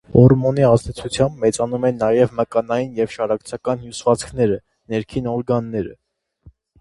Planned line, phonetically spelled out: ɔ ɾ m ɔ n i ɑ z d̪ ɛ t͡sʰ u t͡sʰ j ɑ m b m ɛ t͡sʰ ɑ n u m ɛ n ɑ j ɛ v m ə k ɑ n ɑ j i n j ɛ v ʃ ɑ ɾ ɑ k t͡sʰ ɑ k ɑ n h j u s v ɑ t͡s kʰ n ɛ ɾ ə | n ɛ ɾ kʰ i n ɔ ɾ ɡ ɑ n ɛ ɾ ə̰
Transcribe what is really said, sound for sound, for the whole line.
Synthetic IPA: ɔ ɾ m ɔ n i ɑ z d̪ ɛ t͡sʰ u t͡sʰ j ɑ m b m ɛ t͡s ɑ n u m ɛ n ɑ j ɛ v m ə k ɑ n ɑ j i n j ɛ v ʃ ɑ ɾ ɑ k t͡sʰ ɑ k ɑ n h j u s v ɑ t͡s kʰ n ɛ ɾ ə | n ɛ ɾ kʰ i n ɔ ɾ ɡ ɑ nː ɛ ɾ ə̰